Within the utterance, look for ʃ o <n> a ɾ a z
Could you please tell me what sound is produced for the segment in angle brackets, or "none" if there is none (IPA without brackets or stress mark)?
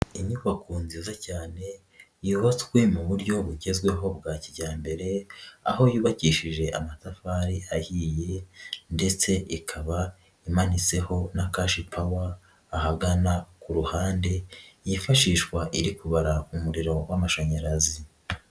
ɲ